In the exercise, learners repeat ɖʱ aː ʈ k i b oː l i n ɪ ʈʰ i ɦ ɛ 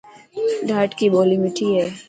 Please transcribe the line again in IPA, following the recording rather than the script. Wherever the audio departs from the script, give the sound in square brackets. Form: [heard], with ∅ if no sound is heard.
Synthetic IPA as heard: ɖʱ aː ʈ k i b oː l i [m] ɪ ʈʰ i ɦ ɛ

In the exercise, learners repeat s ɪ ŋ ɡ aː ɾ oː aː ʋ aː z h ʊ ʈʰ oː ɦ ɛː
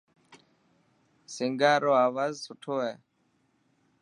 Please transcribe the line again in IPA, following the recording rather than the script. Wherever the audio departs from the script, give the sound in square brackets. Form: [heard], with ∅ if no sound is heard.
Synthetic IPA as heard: s ɪ ŋ ɡ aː ɾ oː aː ʋ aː z [s] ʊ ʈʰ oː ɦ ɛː

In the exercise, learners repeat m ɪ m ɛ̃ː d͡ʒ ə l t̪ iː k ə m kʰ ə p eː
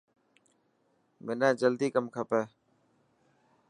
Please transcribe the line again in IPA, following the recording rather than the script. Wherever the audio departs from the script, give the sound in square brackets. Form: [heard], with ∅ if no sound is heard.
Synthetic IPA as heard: m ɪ [n] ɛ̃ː d͡ʒ ə l [d̪] iː k ə m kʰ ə p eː

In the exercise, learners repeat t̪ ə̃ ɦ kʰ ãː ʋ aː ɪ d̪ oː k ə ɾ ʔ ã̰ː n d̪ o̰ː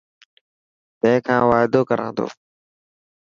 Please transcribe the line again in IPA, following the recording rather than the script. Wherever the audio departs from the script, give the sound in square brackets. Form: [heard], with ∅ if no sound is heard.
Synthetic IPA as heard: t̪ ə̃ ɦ kʰ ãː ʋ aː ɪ d̪ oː k ə ɾ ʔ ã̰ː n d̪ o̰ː

